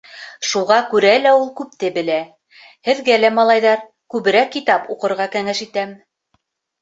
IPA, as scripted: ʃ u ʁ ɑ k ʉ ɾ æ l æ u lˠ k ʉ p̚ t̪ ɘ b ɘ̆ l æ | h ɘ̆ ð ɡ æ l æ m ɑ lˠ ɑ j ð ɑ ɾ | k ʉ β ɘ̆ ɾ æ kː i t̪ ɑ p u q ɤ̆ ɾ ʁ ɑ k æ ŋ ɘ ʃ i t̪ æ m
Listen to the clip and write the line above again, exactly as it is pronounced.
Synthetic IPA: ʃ u ʁ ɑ k ʉ ɾ æ l æ u lˠ k ʉ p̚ t̪ ɘ b ɘ̆ l æ | h ɘ̆ ð ɡ æ l æ m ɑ lˠ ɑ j ð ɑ ɾ | k ʉ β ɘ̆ ɾ æ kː i t̪ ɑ p u q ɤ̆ ɾ ʁ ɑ k æ ŋ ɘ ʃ i t̪ æ m